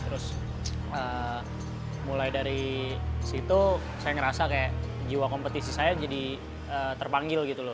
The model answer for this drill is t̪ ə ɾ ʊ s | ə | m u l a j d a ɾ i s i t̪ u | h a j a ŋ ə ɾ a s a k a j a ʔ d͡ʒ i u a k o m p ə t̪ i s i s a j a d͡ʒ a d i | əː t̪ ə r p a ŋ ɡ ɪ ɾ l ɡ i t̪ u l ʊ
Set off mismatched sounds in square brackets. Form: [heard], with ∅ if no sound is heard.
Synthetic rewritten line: t̪ ə ɾ ʊ s | ə | m u l a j d a ɾ i s i t̪ u | [s] a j a ŋ ə ɾ a s a k a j a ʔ d͡ʒ i [w] a k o m p ə t̪ i s i s a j a d͡ʒ a d i | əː t̪ ə r p a ŋ ɡ ɪ [∅] l ɡ i t̪ u l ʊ